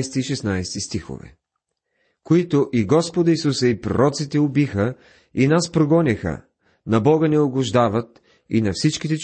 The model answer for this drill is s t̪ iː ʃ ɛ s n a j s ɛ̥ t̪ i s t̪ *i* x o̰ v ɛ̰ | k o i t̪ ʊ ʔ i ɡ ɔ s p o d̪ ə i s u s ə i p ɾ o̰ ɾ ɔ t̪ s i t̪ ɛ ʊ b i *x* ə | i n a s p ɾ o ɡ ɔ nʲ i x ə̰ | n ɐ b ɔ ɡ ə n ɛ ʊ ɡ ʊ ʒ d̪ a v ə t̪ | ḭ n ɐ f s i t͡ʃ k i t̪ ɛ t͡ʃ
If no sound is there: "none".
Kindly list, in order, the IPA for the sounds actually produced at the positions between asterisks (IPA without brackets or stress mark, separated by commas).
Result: i, x